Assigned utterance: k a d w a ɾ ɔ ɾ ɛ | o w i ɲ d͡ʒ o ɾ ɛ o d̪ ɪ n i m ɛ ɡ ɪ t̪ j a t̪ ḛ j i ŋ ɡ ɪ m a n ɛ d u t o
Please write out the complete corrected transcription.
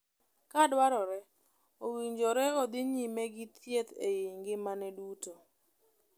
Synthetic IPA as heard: k a d w a ɾ ɔ ɾ ɛ | o w i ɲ d͡ʒ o ɾ ɛ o d̪ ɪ ɲ i m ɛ ɡ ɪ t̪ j e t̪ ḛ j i ŋ ɡ ɪ m a n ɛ d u t o